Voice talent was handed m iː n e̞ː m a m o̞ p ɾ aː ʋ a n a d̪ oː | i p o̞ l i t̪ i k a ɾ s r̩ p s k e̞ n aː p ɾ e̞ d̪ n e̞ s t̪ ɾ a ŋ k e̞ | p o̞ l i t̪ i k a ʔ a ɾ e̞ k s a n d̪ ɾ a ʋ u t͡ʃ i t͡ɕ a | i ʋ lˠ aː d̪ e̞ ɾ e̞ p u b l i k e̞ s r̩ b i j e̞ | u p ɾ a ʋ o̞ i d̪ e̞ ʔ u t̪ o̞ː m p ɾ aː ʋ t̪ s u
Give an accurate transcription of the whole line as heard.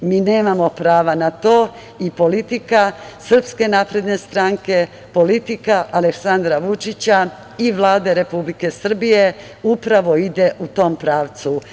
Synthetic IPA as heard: m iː n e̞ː m a m o̞ p ɾ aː ʋ a n a t̪ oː | i p o̞ l i t̪ i k a s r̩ p s k e̞ n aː p ɾ e̞ d̪ n e̞ s t̪ ɾ a ŋ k e̞ | p o̞ l i t̪ i k a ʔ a l e̞ k s a n d̪ ɾ a ʋ u t͡ʃ i t͡ɕ a | i ʋ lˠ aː d̪ e̞ ɾ e̞ p u b l i k e̞ s r̩ b i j e̞ | u p ɾ a ʋ o̞ i d̪ e̞ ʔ u t̪ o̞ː m p ɾ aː ʋ t̪ s u